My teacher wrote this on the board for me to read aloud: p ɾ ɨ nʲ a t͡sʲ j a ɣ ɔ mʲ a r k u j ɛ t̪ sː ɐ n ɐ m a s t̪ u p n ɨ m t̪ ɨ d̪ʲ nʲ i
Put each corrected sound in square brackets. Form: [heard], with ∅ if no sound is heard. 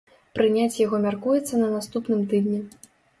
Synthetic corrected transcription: p ɾ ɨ nʲ a t͡sʲ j a ɣ ɔ mʲ a r k u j ɛ t̪ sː ɐ n ɐ [n] a s t̪ u p n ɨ m t̪ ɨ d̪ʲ nʲ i